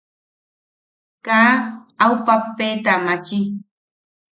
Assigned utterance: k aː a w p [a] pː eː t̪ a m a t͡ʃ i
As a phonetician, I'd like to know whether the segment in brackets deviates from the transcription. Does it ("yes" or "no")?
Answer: no